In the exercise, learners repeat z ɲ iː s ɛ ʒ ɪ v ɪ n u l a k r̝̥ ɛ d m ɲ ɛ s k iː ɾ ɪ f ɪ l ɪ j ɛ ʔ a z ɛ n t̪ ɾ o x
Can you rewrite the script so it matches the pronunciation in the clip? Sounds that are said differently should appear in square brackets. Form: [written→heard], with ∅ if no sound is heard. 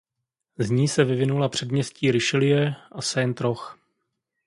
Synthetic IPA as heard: z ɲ iː s ɛ [ʒ→v] ɪ v ɪ n u l a [k→p] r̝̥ ɛ d m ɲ ɛ s [k→c] iː ɾ ɪ [f→ʃ] ɪ l ɪ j ɛ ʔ a [z→s] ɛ n t̪ ɾ o x